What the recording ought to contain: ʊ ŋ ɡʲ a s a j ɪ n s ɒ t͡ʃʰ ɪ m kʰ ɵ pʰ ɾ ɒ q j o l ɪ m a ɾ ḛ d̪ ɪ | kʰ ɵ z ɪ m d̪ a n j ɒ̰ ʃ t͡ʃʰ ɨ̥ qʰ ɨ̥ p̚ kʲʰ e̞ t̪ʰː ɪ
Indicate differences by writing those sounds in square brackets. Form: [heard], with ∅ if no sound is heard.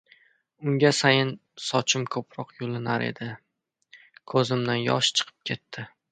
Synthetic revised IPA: ʊ ŋ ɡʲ a s a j ɪ n s ɒ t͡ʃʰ ɪ m kʰ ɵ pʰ ɾ ɒ q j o l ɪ [n] a ɾ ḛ d̪ ɪ | kʰ ɵ z ɪ m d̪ a n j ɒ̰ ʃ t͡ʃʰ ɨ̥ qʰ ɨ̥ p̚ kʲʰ e̞ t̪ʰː ɪ